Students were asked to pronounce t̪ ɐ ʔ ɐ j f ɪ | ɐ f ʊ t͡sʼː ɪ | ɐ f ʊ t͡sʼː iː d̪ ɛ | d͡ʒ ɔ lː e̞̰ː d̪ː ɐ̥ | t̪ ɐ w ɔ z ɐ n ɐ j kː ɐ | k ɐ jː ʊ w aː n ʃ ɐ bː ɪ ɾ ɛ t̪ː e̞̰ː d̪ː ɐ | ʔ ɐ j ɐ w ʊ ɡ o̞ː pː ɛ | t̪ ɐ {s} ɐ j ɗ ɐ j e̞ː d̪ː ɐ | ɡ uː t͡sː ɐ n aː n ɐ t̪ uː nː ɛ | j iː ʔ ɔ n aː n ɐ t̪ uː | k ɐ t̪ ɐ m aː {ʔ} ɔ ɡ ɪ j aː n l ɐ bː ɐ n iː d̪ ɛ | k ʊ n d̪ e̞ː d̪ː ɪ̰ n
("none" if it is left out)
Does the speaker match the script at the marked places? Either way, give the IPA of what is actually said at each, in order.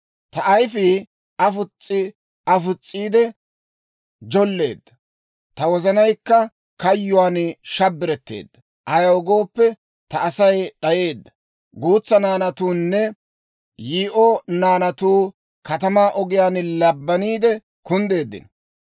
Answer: s, ʔ

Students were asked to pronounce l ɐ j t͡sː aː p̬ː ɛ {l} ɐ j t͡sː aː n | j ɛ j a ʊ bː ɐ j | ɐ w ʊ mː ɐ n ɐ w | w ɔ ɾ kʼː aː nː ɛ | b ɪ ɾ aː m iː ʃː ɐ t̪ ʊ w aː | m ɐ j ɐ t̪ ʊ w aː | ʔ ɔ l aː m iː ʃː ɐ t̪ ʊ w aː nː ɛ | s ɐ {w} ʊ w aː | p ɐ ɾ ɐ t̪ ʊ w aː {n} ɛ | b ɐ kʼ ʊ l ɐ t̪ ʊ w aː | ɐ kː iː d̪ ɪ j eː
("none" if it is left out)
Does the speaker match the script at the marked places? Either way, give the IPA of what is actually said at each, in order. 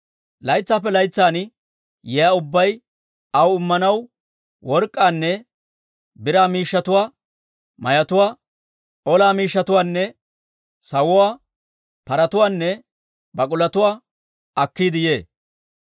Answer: l, w, nː

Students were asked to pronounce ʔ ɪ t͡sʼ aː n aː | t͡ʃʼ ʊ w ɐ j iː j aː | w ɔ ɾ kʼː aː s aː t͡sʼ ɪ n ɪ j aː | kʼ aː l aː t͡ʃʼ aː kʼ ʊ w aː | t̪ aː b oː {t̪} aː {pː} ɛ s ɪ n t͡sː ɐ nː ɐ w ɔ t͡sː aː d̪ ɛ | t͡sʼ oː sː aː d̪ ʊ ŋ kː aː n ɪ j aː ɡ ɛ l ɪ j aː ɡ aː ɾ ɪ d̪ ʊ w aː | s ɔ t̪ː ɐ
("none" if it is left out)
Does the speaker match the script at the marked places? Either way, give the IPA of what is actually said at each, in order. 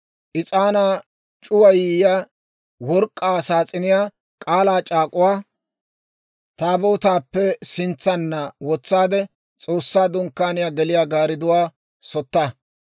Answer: t̪, pː

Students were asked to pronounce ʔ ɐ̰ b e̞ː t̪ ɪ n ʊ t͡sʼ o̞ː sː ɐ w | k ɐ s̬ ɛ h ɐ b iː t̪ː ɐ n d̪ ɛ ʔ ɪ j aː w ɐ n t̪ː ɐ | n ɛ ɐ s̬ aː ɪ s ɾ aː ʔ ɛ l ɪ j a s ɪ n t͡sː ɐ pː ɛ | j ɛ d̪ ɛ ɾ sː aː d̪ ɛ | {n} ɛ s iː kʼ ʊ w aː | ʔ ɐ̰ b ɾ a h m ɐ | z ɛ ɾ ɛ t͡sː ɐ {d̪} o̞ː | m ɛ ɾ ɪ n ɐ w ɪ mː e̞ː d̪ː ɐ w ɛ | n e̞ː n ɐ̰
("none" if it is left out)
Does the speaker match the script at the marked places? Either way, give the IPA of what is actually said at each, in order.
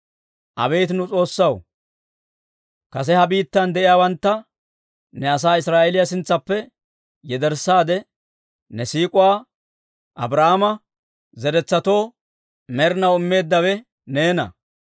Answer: n, t̪

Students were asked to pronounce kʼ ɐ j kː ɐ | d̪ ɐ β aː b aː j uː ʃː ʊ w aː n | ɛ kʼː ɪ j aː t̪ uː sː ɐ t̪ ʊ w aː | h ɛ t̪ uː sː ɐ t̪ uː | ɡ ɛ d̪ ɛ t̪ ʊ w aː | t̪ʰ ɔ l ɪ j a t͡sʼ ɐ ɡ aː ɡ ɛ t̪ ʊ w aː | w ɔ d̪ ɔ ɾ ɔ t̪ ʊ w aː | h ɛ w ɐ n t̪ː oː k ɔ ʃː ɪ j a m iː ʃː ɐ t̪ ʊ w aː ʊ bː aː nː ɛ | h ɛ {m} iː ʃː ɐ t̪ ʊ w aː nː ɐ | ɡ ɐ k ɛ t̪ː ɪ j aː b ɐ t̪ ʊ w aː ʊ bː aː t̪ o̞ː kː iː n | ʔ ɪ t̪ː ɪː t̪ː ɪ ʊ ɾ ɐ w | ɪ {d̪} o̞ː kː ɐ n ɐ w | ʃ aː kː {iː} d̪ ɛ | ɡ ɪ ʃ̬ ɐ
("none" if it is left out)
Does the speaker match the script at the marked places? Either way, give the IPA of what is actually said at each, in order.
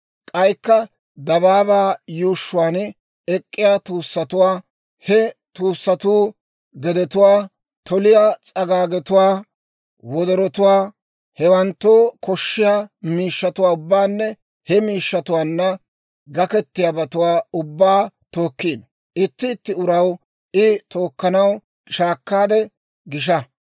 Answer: m, t̪, aː

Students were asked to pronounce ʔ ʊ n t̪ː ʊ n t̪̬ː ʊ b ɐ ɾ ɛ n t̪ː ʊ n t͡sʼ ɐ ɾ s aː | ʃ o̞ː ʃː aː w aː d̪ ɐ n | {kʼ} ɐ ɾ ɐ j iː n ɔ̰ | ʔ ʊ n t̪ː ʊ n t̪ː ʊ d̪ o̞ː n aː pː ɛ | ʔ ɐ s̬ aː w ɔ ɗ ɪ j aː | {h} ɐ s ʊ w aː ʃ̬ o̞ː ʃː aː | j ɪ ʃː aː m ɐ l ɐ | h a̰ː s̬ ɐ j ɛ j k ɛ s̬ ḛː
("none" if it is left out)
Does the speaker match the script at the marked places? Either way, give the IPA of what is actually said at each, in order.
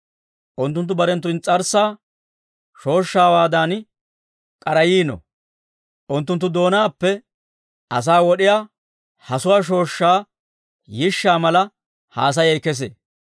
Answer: kʼ, h

